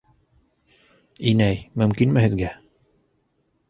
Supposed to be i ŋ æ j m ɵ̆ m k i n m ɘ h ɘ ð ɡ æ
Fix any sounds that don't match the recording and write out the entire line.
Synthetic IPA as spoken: i n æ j m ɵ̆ m k i n m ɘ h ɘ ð ɡ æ

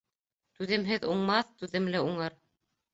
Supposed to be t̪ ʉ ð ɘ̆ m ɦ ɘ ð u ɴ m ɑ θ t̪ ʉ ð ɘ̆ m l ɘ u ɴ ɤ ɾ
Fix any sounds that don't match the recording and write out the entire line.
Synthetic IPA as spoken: t̪ ʉ ð ɘ̆ m ɦ ɘ ð u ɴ m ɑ θ t̪ ʉ ð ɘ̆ m l ɘ u ɴ ɤ ɾ

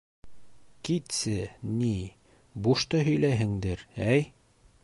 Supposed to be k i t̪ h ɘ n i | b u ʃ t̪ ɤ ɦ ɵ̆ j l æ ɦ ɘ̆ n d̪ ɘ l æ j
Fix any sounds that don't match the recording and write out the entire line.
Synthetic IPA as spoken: k i t̪ s ɘ n i | b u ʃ t̪ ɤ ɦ ɵ̆ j l æ ɦ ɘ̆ ŋ d̪ ɘ ɾ æ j

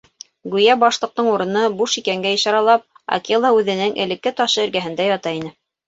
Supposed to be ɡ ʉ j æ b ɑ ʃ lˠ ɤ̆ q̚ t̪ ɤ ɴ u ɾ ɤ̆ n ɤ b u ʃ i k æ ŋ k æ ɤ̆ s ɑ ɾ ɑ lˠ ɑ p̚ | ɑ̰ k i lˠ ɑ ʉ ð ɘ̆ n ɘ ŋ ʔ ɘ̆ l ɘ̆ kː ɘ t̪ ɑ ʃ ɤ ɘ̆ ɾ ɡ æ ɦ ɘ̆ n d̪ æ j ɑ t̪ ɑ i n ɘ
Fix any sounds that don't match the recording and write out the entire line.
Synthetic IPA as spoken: ɡ ʉ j æ b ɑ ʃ lˠ ɤ̆ q̚ t̪ ɤ ɴ u ɾ ɤ̆ n ɤ b u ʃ i k æ ŋ ɡ æ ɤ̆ ʃ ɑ ɾ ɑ lˠ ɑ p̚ | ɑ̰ k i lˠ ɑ ʉ ð ɘ̆ n ɘ ŋ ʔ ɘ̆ l ɘ̆ kː ɘ t̪ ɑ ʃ ɤ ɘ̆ ɾ ɡ æ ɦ ɘ̆ n d̪ æ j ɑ t̪ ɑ i n ɘ

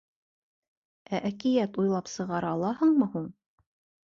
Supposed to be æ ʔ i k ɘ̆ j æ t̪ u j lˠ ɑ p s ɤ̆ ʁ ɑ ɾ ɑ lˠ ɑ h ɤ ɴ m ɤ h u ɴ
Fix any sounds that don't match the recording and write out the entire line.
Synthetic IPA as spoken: æ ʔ æ k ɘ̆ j æ t̪ u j lˠ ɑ p s ɤ̆ ʁ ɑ ɾ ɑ lˠ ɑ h ɤ ɴ m ɤ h u ɴ

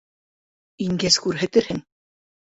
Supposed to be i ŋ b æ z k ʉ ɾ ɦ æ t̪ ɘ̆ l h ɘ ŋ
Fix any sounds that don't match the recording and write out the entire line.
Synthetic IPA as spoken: i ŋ ɡ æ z k ʉ ɾ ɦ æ t̪ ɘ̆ ɾ h ɘ ŋ

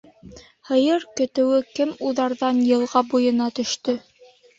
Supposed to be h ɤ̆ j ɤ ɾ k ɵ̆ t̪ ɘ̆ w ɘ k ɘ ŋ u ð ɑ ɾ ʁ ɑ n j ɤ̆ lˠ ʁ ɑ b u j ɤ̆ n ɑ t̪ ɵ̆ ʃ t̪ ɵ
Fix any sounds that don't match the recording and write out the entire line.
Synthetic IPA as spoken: h ɤ̆ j ɤ ɾ k ɵ̆ t̪ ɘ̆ w ɘ k ɘ m u ð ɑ ɾ ð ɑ n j ɤ̆ lˠ ʁ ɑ b u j ɤ̆ n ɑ t̪ ɵ̆ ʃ t̪ ɵ

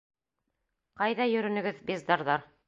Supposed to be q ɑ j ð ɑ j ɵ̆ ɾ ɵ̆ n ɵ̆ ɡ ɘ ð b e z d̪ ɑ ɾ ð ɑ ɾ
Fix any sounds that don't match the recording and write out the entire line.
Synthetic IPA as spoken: q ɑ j ð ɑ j ɵ̆ ɾ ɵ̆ n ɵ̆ ɡ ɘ ð b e z d̪ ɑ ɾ ð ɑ ɾ

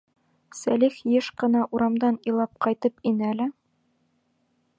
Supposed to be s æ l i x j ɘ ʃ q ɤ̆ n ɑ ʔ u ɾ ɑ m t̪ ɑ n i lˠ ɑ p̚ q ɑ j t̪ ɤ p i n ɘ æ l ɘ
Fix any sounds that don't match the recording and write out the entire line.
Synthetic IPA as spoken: s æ l i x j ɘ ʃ q ɤ̆ n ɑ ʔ u ɾ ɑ m d̪ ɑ n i lˠ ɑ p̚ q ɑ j t̪ ɤ p i n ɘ æ l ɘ

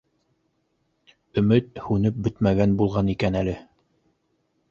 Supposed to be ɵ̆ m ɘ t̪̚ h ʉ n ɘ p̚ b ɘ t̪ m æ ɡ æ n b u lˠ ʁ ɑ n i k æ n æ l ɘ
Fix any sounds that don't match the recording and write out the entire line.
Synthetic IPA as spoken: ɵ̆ m ɘ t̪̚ h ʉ n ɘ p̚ b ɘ t̪ m æ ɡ æ n b u lˠ ʁ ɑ n i k æ n æ l ɘ

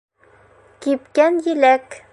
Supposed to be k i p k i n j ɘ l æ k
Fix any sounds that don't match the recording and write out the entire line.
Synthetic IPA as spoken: k i p k æ n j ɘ l æ k

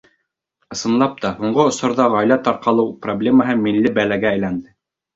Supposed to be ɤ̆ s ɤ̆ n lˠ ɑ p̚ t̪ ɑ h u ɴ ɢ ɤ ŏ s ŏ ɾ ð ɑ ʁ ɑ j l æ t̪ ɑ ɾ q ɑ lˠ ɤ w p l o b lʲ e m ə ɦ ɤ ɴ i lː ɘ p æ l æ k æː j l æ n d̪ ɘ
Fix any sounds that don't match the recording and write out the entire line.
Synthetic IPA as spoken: ɤ̆ s ɤ̆ n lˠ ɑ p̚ t̪ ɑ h u ɴ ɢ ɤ ŏ s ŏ ɾ ð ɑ ʁ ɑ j l æ t̪ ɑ ɾ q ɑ lˠ ɤ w p r o b lʲ e m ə ɦ ɤ m i lː ɘ b æ l æ ɡ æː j l æ n d̪ ɘ

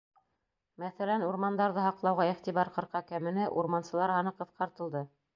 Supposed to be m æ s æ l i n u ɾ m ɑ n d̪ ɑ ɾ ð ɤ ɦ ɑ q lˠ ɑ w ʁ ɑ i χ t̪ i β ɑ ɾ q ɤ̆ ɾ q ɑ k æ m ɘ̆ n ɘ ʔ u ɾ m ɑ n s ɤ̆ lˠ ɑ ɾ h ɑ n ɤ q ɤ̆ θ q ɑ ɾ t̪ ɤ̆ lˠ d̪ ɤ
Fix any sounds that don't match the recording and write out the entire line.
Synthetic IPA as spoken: m æ θ æ l æ n u ɾ m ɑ n d̪ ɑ ɾ ð ɤ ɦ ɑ q lˠ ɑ w ʁ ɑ i χ t̪ i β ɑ ɾ q ɤ̆ ɾ q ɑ k æ m ɘ̆ n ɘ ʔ u ɾ m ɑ n s ɤ̆ lˠ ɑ ɾ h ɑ n ɤ q ɤ̆ θ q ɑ ɾ t̪ ɤ̆ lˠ d̪ ɤ

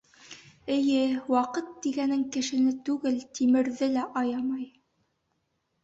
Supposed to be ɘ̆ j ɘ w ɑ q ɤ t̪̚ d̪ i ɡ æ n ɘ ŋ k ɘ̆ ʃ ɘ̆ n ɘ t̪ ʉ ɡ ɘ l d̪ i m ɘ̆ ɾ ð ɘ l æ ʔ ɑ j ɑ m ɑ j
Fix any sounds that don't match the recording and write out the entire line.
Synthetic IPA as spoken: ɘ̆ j ɘ w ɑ q ɤ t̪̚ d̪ i ɡ æ n ɘ ŋ k ɘ̆ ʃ ɘ̆ n ɘ t̪ ʉ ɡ ɘ l t̪ i m ɘ̆ ɾ ð ɘ l æ ʔ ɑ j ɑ m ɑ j

